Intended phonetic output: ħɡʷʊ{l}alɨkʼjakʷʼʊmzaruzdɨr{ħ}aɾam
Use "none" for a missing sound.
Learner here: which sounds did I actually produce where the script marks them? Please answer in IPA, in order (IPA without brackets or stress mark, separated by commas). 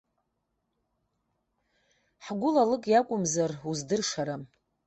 l, ʂ